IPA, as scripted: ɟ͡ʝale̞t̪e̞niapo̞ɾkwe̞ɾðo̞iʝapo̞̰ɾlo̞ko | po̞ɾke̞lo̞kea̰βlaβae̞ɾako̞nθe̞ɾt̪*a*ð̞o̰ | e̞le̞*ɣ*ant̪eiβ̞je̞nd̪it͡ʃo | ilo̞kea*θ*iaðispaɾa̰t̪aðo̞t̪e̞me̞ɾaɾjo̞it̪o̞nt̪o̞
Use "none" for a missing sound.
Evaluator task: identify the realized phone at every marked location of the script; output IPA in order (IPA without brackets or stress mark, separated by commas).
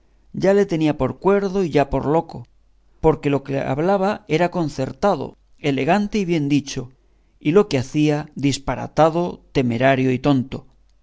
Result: a, ɣ, θ